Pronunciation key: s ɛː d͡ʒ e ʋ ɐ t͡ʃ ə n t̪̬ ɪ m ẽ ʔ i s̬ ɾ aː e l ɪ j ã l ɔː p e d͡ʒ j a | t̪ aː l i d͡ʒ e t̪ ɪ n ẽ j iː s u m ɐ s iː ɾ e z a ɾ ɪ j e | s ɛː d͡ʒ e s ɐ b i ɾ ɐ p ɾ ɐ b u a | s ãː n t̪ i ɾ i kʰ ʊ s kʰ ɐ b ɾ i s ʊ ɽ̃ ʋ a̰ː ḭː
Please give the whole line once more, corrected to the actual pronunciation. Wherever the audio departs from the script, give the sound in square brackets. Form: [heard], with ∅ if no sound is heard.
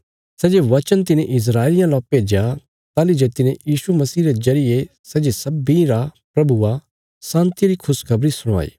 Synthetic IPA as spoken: s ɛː d͡ʒ e ʋ ɐ t͡ʃ ə n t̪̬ ɪ [n] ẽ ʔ [ɪ] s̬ ɾ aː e l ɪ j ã l ɔː p e d͡ʒ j a | t̪ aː l i d͡ʒ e t̪ ɪ n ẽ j iː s u m ɐ s iː ɾ e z [ɐ] ɾ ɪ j e | s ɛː d͡ʒ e s ɐ b i ɾ [a] p ɾ ɐ b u a | s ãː n t̪ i ɾ i kʰ ʊ s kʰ ɐ b ɾ i s ʊ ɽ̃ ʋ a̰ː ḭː